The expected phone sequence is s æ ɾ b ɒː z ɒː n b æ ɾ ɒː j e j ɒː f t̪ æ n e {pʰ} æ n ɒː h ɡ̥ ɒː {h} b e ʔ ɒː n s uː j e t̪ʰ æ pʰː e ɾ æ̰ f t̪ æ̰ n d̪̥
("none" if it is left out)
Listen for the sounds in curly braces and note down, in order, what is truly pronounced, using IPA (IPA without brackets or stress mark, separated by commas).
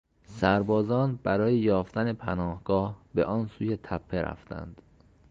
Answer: pʰ, h